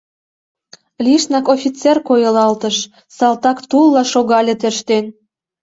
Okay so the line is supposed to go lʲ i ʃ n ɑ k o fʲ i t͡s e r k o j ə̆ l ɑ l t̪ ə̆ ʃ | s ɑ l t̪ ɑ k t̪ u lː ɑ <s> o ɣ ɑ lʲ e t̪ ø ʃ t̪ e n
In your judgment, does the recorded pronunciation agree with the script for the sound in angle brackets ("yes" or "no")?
no